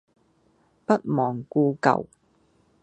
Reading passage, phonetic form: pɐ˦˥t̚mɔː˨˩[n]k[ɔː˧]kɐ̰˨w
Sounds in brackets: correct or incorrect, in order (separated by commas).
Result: incorrect, incorrect